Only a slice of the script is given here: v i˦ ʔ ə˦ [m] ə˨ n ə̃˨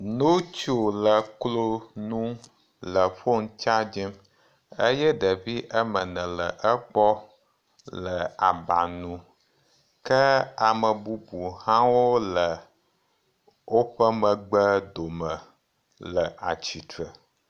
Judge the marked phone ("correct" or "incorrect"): correct